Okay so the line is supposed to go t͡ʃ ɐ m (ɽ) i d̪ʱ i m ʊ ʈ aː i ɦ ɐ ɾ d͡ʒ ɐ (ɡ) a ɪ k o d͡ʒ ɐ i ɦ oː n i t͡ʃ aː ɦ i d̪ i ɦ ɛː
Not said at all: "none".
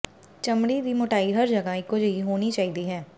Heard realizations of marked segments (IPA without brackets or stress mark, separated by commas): ɽ, ɡ